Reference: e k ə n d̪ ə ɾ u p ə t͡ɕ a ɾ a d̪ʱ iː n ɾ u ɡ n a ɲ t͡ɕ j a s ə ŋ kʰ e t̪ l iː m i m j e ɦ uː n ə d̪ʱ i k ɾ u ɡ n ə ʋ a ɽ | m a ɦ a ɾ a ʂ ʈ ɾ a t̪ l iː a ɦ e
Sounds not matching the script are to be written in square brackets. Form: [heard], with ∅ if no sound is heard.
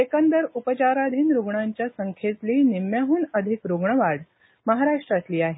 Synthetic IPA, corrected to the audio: e k ə n d̪ ə ɾ u p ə t͡ɕ a ɾ a d̪ʱ iː n ɾ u ɡ [ɳ] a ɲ t͡ɕ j a s ə ŋ kʰ e t̪ l iː [n] i m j [a] ɦ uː n ə d̪ʱ i k ɾ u ɡ [ɳ] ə ʋ a ɽ | m [ə] ɦ a ɾ a ʂ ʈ ɾ a t̪ l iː a ɦ e